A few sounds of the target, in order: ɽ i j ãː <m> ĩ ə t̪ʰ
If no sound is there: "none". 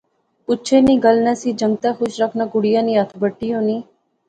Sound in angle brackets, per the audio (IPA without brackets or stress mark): n